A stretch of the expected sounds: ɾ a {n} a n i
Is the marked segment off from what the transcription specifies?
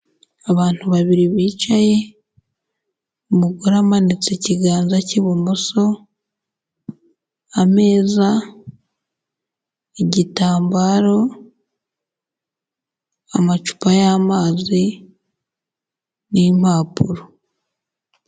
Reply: yes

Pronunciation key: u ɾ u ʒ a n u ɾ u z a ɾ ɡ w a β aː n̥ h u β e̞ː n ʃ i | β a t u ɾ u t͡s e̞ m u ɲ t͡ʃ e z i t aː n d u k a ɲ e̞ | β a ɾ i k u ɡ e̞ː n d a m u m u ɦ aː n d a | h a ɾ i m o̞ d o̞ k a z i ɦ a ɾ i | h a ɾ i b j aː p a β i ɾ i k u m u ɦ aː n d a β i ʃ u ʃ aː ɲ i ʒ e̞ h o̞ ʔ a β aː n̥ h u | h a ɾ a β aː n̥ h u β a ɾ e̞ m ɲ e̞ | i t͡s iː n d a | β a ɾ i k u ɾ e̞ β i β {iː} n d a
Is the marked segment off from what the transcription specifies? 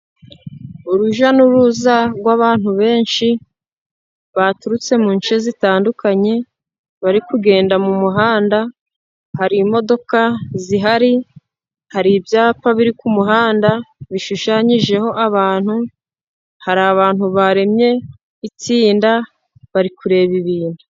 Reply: no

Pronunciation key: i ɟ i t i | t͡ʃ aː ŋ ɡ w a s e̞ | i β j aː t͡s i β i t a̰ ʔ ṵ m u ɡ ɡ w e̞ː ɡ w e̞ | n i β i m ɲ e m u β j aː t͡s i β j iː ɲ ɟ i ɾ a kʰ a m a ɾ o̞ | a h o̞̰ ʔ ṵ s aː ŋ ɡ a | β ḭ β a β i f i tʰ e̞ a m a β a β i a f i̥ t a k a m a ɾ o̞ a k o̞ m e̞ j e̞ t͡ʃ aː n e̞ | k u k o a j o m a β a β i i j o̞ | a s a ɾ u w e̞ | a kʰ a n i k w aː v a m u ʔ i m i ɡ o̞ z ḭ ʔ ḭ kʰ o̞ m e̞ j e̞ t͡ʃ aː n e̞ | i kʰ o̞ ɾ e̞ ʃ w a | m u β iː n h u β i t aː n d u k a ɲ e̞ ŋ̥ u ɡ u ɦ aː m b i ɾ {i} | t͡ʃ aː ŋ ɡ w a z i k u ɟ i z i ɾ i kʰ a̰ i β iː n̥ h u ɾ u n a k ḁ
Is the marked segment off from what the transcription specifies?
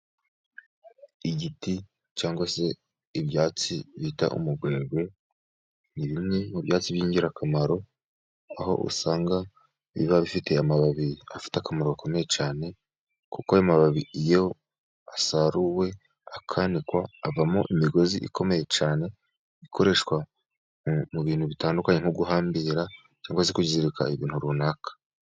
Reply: yes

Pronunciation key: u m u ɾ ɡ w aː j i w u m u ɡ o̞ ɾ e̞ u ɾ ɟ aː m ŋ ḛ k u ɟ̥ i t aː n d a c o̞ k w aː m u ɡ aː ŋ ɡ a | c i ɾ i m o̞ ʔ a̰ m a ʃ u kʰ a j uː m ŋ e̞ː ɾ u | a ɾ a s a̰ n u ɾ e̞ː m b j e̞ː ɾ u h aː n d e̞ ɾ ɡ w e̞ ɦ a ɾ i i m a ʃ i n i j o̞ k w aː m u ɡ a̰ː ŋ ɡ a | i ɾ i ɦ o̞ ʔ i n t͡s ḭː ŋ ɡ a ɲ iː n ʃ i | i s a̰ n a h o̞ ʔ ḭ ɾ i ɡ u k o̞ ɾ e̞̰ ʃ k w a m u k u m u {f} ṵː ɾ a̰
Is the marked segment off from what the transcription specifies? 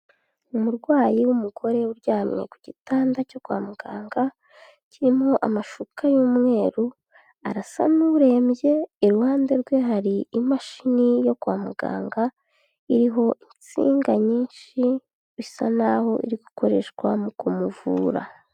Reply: yes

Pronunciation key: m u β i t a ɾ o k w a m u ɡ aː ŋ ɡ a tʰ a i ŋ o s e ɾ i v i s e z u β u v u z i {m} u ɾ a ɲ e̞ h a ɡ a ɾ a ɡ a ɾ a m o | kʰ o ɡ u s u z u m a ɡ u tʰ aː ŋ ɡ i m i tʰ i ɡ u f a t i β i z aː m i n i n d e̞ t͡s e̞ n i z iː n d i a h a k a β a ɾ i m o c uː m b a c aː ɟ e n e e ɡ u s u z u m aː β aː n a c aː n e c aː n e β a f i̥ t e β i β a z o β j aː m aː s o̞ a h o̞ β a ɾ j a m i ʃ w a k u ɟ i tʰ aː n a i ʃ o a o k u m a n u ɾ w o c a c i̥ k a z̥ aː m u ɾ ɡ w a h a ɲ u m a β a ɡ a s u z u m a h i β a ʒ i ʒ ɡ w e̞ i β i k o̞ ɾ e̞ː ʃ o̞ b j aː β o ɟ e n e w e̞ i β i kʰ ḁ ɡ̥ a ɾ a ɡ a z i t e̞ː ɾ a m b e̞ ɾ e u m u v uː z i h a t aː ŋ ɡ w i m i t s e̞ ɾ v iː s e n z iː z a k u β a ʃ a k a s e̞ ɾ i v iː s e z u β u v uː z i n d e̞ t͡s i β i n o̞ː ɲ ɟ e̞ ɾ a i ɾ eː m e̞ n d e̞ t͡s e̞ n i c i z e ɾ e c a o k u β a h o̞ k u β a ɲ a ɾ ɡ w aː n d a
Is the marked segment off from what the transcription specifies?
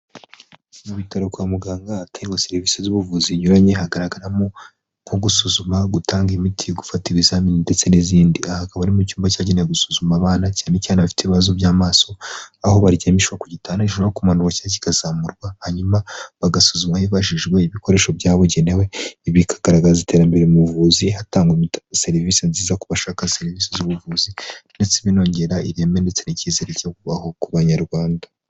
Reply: yes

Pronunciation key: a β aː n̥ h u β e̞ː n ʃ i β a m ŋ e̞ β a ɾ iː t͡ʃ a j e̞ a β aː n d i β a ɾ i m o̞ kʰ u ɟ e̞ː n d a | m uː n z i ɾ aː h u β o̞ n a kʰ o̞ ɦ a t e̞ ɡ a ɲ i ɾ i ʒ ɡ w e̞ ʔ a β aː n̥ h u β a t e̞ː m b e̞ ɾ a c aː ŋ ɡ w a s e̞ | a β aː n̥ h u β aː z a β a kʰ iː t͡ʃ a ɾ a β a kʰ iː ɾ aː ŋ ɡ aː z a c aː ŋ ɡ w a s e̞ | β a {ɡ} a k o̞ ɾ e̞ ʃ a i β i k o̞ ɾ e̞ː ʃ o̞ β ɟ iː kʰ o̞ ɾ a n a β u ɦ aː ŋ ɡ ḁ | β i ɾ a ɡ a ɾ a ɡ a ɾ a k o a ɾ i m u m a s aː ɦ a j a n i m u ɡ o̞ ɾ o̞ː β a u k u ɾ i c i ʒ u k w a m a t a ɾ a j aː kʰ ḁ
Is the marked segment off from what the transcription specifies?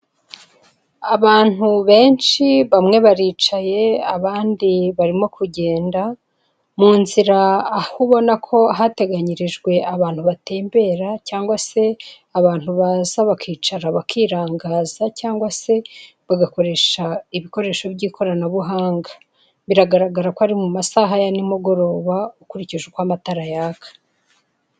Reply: no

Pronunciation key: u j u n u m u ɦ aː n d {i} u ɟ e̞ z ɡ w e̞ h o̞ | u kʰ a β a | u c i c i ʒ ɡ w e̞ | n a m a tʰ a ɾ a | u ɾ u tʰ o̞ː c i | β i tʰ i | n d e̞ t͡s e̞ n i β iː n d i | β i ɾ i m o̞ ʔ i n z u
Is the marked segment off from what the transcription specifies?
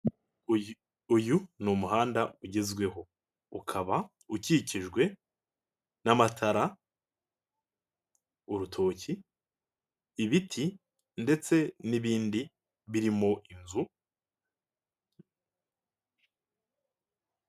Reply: yes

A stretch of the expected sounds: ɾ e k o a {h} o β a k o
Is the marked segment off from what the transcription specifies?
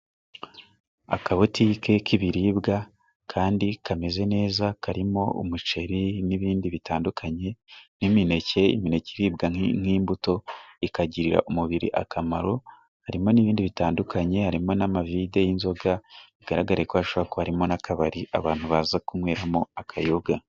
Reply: yes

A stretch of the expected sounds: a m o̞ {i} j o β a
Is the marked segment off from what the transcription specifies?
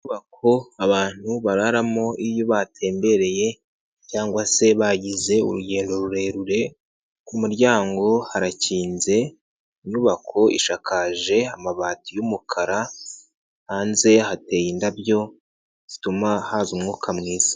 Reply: no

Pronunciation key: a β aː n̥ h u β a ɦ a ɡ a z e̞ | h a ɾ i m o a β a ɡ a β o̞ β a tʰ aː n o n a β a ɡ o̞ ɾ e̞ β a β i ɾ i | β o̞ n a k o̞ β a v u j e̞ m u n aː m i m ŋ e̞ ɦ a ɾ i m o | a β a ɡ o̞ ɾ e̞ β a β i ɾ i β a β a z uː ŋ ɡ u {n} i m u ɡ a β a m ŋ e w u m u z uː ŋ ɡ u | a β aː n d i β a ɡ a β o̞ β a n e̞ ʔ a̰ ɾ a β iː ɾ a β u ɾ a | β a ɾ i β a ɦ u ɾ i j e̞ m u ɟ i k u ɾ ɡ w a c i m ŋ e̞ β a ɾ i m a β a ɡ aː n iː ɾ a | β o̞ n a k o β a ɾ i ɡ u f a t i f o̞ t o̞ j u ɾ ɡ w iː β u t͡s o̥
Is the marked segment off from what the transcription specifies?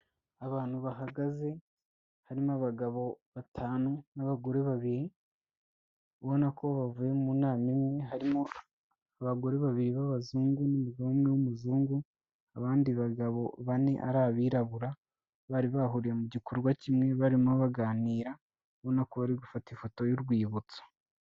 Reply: no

